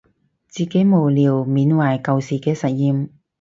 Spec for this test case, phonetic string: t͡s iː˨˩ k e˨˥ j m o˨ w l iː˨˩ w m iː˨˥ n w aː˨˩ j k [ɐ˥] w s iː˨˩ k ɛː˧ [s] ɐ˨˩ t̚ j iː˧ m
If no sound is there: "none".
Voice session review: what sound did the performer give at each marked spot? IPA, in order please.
ɐ˨˧, s

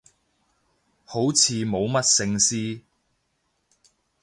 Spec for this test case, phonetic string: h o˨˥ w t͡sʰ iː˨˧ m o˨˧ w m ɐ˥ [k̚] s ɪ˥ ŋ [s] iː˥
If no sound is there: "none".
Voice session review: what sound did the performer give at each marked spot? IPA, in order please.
t̚, s

